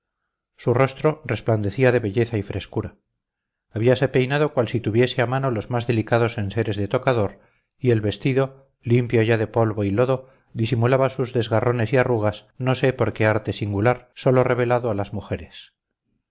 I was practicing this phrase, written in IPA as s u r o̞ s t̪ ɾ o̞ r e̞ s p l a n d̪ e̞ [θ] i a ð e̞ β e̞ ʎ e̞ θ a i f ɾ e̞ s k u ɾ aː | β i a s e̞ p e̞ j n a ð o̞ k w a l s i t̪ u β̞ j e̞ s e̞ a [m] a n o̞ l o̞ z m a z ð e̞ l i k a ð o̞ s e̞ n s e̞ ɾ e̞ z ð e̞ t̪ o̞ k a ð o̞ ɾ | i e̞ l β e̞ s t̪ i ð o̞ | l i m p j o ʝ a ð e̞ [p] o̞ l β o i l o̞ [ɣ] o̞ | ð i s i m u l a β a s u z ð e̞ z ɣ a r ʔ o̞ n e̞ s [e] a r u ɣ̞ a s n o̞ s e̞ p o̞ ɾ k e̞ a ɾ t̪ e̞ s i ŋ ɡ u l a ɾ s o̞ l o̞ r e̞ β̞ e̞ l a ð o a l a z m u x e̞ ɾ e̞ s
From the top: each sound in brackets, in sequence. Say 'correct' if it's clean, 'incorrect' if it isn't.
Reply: correct, correct, correct, incorrect: ð, incorrect: i

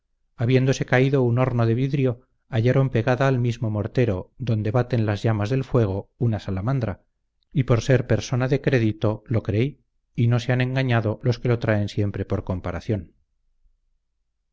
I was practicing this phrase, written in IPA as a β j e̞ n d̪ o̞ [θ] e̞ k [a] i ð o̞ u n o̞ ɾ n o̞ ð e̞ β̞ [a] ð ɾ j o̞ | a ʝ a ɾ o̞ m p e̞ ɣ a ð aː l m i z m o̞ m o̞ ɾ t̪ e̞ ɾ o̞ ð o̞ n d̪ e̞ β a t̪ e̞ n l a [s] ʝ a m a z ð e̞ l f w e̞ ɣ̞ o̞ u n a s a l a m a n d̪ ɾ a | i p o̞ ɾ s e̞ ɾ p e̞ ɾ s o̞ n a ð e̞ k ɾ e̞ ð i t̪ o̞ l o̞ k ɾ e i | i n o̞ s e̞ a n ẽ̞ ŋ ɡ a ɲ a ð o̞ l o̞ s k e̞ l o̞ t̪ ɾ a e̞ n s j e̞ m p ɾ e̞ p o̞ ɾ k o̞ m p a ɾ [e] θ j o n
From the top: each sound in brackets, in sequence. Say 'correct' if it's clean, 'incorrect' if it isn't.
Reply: incorrect: s, correct, incorrect: i, incorrect: z, incorrect: a

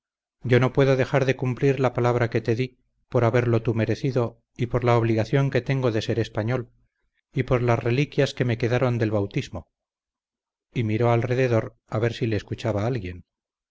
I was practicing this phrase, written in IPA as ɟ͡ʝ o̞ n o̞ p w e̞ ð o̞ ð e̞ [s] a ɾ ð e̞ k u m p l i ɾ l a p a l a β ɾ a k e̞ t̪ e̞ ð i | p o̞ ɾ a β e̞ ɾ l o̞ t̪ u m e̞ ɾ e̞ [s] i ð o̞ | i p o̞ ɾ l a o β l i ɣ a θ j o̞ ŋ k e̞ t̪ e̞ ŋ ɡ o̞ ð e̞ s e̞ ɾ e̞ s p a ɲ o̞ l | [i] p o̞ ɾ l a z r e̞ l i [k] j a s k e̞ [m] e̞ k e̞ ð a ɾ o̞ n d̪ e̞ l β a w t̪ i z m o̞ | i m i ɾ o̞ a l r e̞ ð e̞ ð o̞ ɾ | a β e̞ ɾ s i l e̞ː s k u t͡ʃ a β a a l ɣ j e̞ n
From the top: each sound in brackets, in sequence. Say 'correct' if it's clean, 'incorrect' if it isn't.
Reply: incorrect: x, incorrect: θ, correct, correct, correct

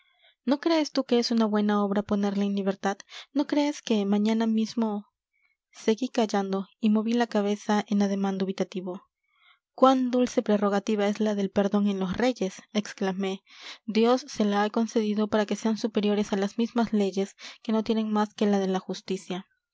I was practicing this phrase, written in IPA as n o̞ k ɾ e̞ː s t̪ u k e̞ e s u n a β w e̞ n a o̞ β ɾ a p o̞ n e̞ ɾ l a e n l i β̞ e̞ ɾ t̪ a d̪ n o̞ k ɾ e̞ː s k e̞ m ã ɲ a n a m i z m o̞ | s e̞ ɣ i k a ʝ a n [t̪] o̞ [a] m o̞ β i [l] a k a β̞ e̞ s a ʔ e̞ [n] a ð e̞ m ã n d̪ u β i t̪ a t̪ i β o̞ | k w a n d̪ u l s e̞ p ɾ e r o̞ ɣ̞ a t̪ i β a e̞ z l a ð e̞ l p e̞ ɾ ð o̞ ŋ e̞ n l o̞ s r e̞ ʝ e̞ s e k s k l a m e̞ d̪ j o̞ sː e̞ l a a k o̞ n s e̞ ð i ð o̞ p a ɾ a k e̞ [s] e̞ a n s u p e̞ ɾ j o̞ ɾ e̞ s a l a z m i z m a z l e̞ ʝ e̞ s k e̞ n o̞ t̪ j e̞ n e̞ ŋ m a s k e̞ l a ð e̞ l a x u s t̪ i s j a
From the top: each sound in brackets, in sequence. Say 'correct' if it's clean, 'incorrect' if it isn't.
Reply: incorrect: d̪, incorrect: i, correct, correct, correct

